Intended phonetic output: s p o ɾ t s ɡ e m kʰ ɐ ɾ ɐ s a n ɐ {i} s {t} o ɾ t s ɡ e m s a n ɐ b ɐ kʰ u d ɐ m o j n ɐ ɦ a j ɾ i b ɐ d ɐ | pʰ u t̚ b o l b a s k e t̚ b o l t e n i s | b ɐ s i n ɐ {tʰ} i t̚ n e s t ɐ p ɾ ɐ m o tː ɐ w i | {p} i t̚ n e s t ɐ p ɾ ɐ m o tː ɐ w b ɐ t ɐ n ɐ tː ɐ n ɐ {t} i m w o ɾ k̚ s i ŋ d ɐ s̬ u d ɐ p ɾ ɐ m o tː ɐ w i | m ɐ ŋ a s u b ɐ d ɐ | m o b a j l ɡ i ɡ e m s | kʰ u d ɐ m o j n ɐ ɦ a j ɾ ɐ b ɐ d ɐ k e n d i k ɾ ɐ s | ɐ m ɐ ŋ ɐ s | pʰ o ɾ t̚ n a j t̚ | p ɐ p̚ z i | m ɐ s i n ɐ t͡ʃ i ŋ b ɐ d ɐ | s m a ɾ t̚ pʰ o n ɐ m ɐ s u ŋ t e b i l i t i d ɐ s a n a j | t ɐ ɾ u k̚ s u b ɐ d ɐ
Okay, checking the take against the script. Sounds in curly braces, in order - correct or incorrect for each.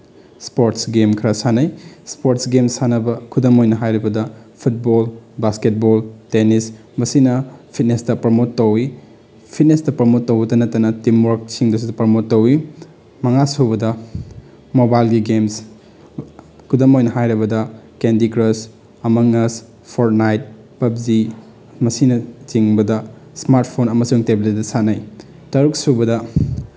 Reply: incorrect: j, incorrect: p, incorrect: pʰ, incorrect: pʰ, correct

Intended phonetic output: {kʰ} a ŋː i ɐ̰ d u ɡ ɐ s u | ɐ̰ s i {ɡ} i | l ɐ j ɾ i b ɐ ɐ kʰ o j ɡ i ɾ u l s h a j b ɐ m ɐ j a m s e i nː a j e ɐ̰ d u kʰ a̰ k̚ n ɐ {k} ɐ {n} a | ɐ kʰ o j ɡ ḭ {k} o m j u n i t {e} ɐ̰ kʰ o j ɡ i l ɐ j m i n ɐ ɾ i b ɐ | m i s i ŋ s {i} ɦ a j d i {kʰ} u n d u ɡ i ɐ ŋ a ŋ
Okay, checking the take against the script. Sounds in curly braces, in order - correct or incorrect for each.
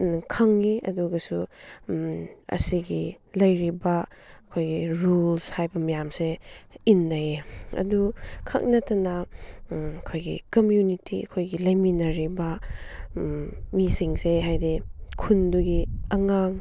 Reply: correct, correct, incorrect: t, correct, correct, incorrect: i, incorrect: e, correct

